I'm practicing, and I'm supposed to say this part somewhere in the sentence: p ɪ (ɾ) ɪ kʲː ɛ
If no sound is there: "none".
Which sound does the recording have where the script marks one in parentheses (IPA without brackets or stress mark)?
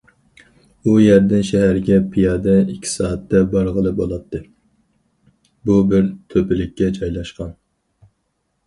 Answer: l